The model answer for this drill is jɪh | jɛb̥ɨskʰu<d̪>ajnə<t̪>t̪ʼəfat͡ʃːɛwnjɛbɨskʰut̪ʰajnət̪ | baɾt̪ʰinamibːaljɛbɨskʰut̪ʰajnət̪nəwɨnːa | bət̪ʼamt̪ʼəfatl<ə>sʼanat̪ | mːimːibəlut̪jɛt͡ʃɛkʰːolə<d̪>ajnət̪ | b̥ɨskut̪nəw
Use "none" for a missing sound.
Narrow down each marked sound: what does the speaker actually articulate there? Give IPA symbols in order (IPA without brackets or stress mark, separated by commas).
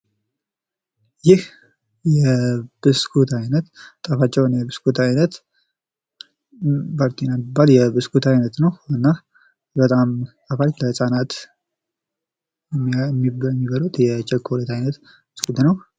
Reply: t̪, t̪, ə, t̪